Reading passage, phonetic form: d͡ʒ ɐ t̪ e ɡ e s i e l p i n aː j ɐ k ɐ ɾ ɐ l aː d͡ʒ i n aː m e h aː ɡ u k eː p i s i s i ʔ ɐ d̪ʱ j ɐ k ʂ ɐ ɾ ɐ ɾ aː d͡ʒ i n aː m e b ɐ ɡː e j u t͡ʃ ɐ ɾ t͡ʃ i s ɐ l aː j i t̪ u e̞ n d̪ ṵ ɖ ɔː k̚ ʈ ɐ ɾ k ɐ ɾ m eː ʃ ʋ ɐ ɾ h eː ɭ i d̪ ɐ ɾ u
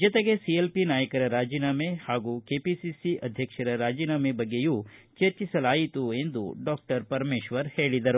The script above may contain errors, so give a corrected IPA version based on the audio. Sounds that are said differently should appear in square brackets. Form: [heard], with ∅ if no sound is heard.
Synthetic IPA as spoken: d͡ʒ ɐ t̪ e ɡ e s i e l p i n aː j ɐ k ɐ ɾ ɐ [ɾ] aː d͡ʒ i n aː m e h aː ɡ u k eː p i s i s i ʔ ɐ d̪ʱ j ɐ k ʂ ɐ ɾ ɐ ɾ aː d͡ʒ i n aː m e b ɐ ɡː e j u t͡ʃ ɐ ɾ t͡ʃ i s ɐ l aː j i t̪ u e̞ n d̪ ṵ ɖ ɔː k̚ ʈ ɐ ɾ [p] ɐ ɾ m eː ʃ ʋ ɐ ɾ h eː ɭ i d̪ ɐ ɾ u

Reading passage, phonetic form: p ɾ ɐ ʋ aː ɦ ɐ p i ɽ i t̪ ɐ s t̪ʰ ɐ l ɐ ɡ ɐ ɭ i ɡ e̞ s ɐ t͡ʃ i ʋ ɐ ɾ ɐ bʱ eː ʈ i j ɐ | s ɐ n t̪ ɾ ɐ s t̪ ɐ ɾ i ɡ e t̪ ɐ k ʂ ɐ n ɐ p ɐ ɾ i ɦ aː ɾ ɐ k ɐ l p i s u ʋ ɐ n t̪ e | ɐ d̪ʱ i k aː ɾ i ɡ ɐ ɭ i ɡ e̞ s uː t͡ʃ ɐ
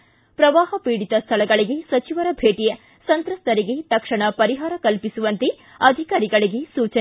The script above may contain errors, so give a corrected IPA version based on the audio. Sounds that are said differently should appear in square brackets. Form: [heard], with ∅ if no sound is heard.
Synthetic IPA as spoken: p ɾ ɐ ʋ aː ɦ ɐ p [iː] ɽ i t̪ ɐ s t̪ʰ ɐ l ɐ ɡ ɐ ɭ i ɡ e̞ s ɐ t͡ʃ i ʋ ɐ ɾ ɐ bʱ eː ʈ i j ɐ | s ɐ n t̪ ɾ ɐ s t̪ ɐ ɾ i ɡ e t̪ ɐ k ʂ ɐ [ɳ] ɐ p ɐ ɾ i ɦ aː ɾ ɐ k ɐ l p i s u ʋ ɐ n t̪ e | ɐ d̪ʱ i k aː ɾ i ɡ ɐ ɭ i ɡ e̞ s uː t͡ʃ ɐ

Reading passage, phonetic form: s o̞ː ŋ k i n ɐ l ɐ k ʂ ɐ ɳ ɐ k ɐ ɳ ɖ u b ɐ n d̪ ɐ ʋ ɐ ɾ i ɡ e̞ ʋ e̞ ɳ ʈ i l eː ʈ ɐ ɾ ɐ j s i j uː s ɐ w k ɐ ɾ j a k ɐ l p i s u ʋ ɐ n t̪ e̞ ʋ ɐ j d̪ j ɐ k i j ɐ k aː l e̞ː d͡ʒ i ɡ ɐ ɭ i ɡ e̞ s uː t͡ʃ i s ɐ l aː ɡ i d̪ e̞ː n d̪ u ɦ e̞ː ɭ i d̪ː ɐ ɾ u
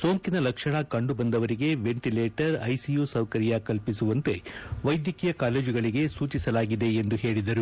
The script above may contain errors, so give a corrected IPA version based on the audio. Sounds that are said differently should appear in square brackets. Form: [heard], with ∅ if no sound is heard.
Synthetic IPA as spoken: s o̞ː ŋ k i n ɐ l ɐ k ʂ ɐ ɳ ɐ k ɐ ɳ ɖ u b ɐ n d̪ ɐ ʋ ɐ ɾ i ɡ e̞ ʋ e̞ ɳ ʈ i l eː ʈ ɐ ɾ ɐ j s i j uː s ɐ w k ɐ ɾ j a k ɐ l p i s u ʋ ɐ n t̪ e̞ ʋ ɐ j d̪ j ɐ k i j ɐ k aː l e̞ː d͡ʒ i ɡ ɐ ɭ i ɡ e̞ s uː t͡ʃ i s ɐ l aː ɡ i d̪ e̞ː n d̪ u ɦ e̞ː ɭ i [d̪] ɐ ɾ u

